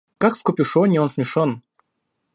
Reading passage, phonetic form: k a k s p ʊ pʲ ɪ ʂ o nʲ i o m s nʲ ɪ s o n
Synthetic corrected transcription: k a k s k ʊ pʲ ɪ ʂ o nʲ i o n s mʲ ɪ ʂ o n